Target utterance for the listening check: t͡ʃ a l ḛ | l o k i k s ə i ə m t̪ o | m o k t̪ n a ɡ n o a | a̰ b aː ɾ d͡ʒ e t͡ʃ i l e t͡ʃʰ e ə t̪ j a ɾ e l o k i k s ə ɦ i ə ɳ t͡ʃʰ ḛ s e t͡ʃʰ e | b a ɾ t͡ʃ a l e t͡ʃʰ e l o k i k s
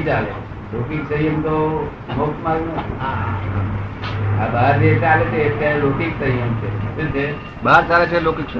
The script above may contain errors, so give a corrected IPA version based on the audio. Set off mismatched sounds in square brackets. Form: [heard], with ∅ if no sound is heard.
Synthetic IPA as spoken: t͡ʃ a l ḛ | l o k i k s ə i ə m t̪ o | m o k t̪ [m] a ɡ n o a | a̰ b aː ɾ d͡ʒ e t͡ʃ [a] l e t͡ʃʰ e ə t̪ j a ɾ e l o k i k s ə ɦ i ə [m] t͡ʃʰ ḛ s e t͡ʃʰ e | b a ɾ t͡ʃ a l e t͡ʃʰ e l o k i k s